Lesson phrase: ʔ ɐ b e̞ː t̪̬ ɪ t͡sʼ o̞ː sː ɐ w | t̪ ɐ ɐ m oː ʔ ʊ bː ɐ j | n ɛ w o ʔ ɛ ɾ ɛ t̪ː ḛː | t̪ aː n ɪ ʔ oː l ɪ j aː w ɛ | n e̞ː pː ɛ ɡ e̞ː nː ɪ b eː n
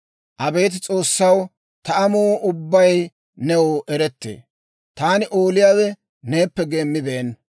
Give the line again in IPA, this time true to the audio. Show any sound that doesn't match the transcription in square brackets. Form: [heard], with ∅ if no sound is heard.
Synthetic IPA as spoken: ʔ ɐ b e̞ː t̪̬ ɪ t͡sʼ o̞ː sː ɐ w | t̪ ɐ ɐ m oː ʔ ʊ bː ɐ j | n ɛ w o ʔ ɛ ɾ ɛ t̪ː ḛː | t̪ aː n ɪ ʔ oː l ɪ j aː w ɛ | n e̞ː pː ɛ ɡ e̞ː [mː] ɪ b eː n